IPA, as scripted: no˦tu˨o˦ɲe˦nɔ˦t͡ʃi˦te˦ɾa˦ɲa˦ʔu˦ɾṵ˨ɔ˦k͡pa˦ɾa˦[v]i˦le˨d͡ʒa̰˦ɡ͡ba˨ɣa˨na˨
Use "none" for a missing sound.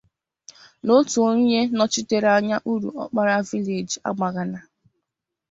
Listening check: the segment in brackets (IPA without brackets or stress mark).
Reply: v